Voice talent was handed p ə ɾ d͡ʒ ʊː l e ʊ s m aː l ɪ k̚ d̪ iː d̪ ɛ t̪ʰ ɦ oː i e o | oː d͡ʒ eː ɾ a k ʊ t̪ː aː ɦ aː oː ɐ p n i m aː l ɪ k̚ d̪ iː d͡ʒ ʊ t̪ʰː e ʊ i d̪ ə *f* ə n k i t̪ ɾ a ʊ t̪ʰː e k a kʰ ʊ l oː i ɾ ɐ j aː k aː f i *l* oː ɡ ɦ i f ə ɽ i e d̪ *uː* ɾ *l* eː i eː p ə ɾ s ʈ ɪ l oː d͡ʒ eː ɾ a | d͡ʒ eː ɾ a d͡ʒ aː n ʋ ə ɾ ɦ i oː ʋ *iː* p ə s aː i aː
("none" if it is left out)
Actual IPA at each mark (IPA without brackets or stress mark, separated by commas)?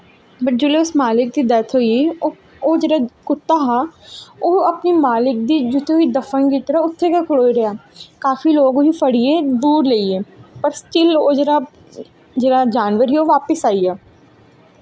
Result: f, l, uː, l, aː